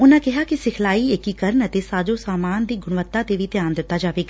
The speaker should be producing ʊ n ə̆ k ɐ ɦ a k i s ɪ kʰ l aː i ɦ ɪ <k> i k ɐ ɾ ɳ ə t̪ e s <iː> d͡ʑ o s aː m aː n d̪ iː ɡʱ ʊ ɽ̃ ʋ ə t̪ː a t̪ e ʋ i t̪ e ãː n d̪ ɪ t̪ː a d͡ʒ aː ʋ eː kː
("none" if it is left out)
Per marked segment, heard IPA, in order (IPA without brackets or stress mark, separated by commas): k, aː